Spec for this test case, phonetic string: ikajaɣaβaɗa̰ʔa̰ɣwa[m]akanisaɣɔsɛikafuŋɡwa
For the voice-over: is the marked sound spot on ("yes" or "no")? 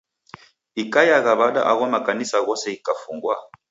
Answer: yes